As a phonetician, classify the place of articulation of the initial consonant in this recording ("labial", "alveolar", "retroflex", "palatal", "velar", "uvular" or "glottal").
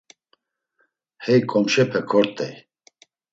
glottal